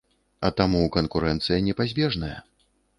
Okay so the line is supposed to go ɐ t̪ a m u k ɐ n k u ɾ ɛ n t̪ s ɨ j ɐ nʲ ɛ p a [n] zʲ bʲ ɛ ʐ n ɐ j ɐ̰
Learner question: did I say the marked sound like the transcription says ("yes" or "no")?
no